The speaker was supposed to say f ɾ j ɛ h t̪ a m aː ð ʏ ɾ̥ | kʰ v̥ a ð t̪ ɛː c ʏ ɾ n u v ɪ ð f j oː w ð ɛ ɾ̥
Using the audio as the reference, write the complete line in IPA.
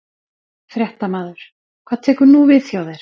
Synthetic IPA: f ɾ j ɛ h t̪ a m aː ð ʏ ɾ̥ | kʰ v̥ a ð t̪ʰ ɛː k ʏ ɾ n u v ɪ ð θ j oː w ð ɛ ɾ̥